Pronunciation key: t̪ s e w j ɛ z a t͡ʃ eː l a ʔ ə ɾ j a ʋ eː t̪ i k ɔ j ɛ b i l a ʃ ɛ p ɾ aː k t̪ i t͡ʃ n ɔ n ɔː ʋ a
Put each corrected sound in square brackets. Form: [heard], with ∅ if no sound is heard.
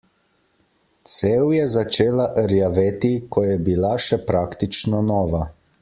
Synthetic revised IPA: t̪ s e w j ɛ z a t͡ʃ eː l a ʔ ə ɾ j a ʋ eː t̪ i k ɔ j ɛ b i l a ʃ ɛ p ɾ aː k t̪ i t͡ʃ n ɔ n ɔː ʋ a